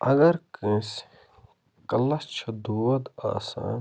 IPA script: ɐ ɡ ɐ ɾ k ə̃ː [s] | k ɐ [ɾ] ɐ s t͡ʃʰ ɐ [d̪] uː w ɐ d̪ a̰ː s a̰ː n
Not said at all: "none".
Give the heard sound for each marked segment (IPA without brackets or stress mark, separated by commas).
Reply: s, l, d̪